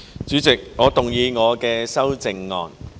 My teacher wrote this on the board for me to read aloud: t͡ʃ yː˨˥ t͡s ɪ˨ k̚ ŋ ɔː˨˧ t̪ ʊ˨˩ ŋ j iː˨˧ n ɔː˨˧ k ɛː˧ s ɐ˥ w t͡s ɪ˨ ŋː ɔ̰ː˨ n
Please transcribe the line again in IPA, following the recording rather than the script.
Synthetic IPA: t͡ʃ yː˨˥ t͡s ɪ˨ k̚ ŋ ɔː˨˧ t̪ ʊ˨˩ ŋ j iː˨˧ ŋ ɔː˨˧ k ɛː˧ s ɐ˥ w t͡s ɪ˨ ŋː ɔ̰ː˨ n

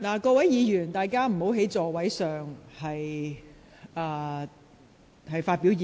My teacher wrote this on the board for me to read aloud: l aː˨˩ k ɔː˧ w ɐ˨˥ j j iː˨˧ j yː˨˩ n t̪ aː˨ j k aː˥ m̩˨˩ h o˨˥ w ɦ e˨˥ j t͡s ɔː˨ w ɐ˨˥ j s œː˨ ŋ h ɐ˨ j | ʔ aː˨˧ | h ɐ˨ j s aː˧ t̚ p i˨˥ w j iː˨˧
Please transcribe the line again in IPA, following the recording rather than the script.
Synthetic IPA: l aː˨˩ k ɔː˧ w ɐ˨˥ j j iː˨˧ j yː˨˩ n t̪ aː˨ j k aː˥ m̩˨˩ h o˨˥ w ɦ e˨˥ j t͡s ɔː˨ w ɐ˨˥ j s œː˨ ŋ h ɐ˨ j | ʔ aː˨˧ | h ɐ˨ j f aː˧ t̚ p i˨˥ w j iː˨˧

